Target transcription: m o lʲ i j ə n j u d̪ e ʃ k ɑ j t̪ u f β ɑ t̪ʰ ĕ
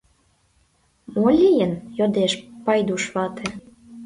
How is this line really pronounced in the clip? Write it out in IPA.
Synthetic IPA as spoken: m o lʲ i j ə n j o d̪ e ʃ p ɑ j d̪ u ʃ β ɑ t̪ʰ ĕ